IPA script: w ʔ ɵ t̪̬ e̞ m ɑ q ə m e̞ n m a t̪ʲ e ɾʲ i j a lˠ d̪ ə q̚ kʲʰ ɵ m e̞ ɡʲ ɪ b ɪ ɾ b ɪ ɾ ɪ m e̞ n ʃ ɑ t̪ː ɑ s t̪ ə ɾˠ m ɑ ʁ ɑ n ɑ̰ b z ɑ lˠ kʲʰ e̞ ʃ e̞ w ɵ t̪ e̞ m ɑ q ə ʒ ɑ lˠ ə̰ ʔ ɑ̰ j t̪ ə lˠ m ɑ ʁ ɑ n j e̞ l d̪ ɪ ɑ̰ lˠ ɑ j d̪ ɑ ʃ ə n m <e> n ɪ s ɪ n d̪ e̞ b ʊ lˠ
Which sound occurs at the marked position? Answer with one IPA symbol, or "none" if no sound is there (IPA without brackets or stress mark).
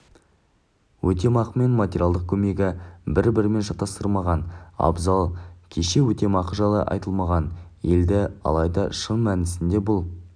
æ